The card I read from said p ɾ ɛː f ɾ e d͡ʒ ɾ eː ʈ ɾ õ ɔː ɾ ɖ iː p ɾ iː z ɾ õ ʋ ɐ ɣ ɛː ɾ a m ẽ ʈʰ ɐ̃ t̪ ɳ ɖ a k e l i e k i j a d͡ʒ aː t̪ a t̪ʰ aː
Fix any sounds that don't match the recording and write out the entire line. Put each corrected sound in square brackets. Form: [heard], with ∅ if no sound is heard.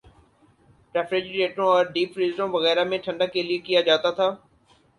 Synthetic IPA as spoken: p ɾ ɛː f ɾ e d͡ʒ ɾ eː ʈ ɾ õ ɔː ɾ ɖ iː p ɾ iː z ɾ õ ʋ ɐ ɣ ɛː ɾ a m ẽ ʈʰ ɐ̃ [∅] ɳ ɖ a k e l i e k i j a d͡ʒ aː t̪ a t̪ʰ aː

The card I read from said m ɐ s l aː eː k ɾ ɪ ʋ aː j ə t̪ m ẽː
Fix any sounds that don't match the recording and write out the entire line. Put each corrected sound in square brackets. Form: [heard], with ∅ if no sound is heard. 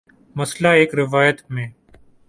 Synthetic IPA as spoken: m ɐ s l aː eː k ɾ ɪ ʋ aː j ə t̪ m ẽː

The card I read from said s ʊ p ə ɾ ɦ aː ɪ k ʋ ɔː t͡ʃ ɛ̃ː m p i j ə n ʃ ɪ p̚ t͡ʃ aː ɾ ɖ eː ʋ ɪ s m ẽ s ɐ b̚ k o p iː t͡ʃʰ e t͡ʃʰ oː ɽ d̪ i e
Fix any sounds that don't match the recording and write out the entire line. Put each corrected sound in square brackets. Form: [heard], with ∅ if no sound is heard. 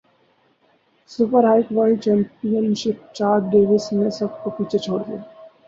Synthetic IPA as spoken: s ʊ p ə ɾ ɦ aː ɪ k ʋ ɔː t͡ʃ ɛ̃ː m p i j ə n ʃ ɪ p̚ t͡ʃ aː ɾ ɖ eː ʋ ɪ s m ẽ s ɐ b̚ k o p iː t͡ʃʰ e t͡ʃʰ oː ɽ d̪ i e

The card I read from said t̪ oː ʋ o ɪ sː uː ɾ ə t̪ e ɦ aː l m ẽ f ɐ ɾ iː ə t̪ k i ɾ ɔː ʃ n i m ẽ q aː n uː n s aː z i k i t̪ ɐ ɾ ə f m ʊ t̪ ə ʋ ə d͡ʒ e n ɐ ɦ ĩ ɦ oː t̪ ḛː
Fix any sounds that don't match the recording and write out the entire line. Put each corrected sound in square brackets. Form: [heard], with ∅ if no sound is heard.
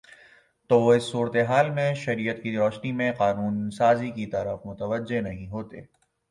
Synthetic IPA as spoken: t̪ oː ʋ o ɪ sː uː ɾ ə t̪ e ɦ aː l m ẽ [ʃ] ɐ ɾ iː ə t̪ k i ɾ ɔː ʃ n i m ẽ q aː n uː n s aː z i k i t̪ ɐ ɾ ə f m ʊ t̪ ə ʋ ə d͡ʒ e n ɐ ɦ ĩ ɦ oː t̪ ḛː

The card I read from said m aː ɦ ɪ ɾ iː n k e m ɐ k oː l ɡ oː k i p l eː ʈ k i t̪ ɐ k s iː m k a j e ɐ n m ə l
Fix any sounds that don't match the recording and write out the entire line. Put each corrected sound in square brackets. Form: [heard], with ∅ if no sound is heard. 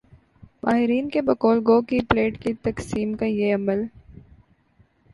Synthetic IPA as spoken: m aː ɦ ɪ ɾ iː n k e [b] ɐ k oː l ɡ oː k i p l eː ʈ k i t̪ ɐ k s iː m k a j e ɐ [∅] m ə l

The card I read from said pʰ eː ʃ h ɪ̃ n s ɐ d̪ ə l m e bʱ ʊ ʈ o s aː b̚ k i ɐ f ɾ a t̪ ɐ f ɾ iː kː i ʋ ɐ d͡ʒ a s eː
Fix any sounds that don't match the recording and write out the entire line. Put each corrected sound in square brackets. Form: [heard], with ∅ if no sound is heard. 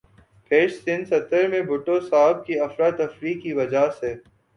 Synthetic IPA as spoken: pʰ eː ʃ [s] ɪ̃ n s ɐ [t̪] ə [ɾ] m [ẽ] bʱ ʊ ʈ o s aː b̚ k i ɐ f ɾ a t̪ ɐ f ɾ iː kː i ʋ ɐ d͡ʒ a s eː

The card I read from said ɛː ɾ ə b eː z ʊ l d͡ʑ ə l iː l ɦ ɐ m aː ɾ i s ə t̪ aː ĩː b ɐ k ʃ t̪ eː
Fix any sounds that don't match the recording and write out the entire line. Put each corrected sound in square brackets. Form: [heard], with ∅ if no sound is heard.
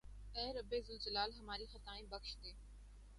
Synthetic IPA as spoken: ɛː ɾ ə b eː z ʊ l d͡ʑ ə l [aː] l ɦ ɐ m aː ɾ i [x] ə t̪ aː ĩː b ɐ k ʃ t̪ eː

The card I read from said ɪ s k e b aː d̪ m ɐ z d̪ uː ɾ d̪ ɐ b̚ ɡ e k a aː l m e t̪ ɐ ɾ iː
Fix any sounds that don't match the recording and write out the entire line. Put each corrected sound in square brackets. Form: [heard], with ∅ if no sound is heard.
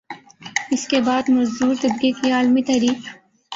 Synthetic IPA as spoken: ɪ s k e b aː d̪ m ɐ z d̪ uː ɾ [t̪] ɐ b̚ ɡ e k [i] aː l m [i] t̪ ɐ ɾ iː

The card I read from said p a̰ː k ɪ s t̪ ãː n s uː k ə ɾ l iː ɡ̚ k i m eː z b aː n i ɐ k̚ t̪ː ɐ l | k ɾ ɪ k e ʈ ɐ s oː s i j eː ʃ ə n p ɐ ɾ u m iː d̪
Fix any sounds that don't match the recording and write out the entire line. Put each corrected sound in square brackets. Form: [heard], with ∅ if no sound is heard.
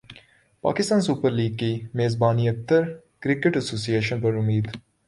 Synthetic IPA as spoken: p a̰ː k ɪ s t̪ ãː n s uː [p] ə ɾ l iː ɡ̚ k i m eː z b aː n i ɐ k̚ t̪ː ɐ [ɾ] | k ɾ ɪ k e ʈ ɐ s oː s i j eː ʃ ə n p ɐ ɾ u m iː d̪

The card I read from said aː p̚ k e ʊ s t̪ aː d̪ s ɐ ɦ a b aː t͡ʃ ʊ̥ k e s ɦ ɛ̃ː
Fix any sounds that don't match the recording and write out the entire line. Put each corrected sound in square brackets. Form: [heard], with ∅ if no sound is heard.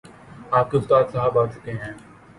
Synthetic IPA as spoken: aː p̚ k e ʊ s t̪ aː d̪ s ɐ ɦ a b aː t͡ʃ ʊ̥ k e [∅] ɦ ɛ̃ː

